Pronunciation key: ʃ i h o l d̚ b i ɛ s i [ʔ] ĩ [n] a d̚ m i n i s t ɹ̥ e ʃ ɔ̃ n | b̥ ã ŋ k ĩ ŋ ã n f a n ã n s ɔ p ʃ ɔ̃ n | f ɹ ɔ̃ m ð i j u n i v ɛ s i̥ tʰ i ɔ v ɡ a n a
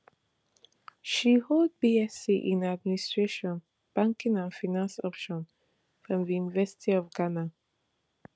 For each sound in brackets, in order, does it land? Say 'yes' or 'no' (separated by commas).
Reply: yes, yes